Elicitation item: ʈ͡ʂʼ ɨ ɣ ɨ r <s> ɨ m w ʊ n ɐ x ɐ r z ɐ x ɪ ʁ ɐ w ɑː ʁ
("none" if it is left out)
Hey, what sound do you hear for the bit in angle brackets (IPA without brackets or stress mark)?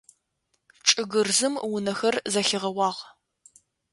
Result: z